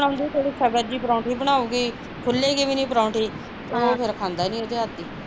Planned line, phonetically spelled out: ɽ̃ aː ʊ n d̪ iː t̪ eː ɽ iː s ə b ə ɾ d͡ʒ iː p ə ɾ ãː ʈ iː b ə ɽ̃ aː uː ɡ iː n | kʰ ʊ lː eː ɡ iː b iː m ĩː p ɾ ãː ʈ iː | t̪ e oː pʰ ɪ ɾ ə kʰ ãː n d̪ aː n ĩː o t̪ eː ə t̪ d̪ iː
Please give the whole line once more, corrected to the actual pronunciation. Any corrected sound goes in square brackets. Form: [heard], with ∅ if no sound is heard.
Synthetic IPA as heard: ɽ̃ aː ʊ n d̪ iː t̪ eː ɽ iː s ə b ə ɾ d͡ʒ iː p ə ɾ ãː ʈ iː b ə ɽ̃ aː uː ɡ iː [∅] | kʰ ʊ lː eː ɡ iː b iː [n] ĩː p ɾ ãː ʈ iː | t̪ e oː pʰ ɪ ɾ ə kʰ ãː n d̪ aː n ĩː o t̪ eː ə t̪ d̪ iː